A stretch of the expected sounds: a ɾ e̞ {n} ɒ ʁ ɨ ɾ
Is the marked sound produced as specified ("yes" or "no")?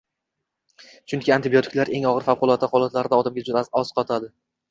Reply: no